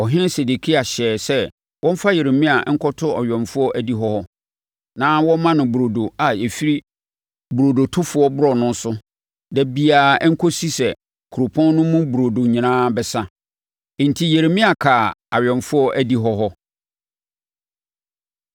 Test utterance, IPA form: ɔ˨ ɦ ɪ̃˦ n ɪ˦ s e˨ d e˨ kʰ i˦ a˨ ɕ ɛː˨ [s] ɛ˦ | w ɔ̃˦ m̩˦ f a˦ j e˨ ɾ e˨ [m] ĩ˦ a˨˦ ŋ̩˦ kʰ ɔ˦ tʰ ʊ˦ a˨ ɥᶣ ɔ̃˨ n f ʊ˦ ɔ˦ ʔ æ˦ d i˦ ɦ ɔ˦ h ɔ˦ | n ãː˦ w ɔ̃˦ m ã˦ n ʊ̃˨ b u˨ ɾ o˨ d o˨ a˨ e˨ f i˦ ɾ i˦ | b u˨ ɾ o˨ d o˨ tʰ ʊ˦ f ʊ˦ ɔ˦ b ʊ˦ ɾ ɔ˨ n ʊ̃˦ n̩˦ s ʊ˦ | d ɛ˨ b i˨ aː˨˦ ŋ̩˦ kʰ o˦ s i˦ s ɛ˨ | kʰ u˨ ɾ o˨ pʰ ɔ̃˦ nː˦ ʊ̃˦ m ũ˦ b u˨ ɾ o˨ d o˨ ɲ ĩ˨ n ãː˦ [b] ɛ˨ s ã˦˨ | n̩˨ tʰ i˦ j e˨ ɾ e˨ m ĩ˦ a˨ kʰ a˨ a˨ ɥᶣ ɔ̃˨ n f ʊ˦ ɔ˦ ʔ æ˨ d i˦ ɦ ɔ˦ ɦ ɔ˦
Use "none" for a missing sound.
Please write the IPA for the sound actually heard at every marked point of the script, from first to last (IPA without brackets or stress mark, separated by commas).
s, m, b